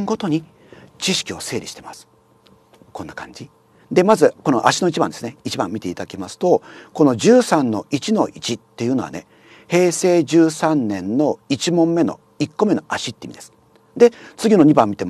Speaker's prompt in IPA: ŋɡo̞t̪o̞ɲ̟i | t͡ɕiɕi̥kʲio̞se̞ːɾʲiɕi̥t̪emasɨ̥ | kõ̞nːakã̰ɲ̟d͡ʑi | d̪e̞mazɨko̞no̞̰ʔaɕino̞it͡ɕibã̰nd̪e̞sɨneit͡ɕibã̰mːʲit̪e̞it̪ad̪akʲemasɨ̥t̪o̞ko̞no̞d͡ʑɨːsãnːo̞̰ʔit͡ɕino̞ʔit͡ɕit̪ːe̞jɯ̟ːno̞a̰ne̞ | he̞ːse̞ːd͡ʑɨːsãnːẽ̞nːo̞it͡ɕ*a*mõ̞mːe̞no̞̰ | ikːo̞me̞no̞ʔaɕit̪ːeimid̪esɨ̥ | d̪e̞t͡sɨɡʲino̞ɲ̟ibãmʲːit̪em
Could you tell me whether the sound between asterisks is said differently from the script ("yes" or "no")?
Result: yes